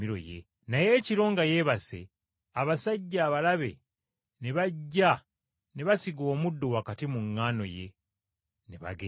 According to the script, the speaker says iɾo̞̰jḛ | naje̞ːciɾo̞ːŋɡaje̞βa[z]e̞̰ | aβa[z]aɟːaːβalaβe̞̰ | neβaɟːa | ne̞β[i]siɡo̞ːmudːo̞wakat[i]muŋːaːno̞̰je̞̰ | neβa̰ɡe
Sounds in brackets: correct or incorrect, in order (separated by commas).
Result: incorrect, incorrect, incorrect, correct